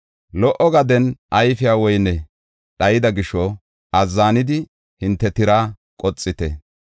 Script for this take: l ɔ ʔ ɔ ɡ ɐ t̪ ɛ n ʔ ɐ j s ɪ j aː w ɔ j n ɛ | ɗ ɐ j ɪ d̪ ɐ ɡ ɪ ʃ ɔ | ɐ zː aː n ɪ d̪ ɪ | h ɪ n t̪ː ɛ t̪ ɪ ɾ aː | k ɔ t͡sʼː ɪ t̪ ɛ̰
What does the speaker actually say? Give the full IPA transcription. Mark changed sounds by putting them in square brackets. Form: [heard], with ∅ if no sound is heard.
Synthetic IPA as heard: l ɔ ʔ ɔ ɡ ɐ [d̪] ɛ n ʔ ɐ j [f] ɪ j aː w ɔ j n ɛ | ɗ ɐ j ɪ d̪ ɐ ɡ ɪ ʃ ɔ | ɐ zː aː n ɪ d̪ ɪ | h ɪ n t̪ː ɛ t̪ ɪ ɾ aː | [kʼ] ɔ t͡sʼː ɪ t̪ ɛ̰